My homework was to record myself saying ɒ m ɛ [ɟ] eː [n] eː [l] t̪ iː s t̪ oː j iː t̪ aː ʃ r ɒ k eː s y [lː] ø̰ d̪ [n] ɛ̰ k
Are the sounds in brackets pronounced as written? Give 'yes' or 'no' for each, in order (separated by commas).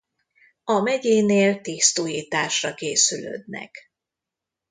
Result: yes, yes, yes, no, yes